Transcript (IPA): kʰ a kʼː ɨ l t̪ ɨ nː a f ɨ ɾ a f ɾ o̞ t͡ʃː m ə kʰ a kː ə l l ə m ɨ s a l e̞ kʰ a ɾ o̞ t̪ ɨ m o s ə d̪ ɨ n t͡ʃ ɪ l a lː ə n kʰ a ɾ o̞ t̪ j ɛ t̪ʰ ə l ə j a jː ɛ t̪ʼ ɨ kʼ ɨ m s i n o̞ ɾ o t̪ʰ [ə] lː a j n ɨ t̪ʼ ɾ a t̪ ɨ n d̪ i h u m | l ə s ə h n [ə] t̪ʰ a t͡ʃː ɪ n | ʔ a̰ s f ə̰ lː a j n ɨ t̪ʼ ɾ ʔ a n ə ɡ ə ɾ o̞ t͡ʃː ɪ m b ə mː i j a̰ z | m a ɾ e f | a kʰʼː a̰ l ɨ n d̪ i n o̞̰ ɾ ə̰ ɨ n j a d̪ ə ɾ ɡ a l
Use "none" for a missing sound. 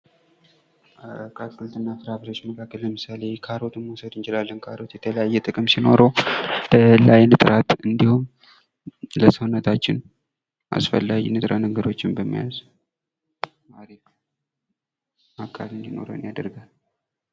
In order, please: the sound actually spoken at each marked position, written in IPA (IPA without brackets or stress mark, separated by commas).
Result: ə, ə